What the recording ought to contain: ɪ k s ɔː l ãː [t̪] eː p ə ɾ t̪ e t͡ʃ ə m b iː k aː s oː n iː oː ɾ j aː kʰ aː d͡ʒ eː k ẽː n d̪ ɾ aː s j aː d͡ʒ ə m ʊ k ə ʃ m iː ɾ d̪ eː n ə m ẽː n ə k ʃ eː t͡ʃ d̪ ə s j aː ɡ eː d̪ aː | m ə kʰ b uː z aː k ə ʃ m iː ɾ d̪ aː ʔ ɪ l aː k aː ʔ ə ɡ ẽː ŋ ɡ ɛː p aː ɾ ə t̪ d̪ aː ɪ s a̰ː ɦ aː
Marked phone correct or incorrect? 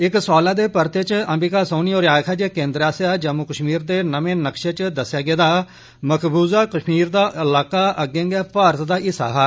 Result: incorrect